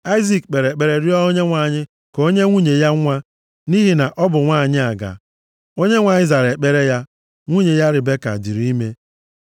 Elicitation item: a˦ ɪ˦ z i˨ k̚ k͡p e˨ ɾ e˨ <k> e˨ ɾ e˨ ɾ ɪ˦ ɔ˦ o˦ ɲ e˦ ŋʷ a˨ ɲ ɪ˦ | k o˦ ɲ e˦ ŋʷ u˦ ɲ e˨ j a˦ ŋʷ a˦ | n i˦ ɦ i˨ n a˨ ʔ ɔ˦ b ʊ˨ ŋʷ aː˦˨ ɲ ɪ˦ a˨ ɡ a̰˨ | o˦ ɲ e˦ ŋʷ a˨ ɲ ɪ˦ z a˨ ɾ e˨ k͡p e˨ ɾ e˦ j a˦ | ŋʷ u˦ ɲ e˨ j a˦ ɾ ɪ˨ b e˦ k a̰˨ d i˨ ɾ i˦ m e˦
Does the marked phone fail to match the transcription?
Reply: yes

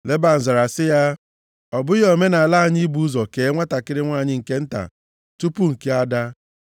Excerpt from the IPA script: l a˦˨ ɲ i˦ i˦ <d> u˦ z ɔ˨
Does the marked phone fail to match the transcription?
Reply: yes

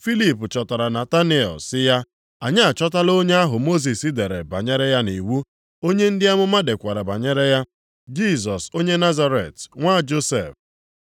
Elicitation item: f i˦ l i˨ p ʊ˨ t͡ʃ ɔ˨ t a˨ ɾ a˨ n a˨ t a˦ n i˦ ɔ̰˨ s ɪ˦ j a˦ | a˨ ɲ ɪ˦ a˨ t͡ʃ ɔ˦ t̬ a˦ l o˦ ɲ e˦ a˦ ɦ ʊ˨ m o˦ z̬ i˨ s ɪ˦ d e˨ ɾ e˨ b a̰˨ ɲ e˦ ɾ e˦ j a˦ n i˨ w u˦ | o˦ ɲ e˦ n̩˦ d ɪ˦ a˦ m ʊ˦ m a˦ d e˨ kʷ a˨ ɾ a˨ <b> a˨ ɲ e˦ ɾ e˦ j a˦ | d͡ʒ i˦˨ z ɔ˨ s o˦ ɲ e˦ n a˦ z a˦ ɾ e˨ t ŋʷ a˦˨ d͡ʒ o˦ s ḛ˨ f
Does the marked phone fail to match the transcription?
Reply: no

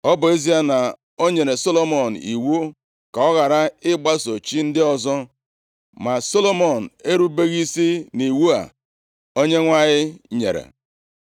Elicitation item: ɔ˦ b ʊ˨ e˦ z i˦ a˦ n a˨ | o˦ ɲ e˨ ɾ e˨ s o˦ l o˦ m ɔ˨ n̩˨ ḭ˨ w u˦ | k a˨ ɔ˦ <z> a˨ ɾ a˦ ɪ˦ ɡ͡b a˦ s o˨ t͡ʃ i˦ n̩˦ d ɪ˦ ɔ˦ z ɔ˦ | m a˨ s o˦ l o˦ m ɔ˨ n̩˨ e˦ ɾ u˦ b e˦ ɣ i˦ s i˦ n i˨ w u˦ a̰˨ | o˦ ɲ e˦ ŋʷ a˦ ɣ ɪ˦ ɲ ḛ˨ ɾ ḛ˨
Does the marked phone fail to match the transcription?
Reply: yes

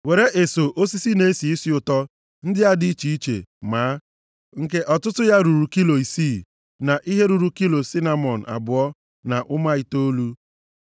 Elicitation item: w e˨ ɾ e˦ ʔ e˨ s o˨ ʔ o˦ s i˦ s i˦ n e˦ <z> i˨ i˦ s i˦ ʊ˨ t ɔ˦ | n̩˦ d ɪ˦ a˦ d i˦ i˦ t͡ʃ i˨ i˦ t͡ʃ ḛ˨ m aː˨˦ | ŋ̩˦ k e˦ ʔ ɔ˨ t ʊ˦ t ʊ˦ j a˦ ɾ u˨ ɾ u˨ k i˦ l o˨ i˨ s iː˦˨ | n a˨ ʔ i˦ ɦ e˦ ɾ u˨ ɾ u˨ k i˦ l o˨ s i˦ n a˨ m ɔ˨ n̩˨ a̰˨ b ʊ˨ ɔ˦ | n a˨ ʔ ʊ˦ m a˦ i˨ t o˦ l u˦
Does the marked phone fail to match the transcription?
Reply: yes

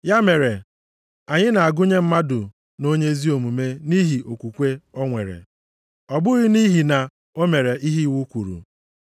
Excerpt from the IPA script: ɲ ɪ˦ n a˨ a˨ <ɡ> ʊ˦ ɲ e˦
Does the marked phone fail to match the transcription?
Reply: no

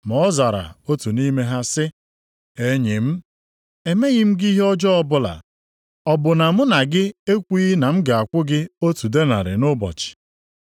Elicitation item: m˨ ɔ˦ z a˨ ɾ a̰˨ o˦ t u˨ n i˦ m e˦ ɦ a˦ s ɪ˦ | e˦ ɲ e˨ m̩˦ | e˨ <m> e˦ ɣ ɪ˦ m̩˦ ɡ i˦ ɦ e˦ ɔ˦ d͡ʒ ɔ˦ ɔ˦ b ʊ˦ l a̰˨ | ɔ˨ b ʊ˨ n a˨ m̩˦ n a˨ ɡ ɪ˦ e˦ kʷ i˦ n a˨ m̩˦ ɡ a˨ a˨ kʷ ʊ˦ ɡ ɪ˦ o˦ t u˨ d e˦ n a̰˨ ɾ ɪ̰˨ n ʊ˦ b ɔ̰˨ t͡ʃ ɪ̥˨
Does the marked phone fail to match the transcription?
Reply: no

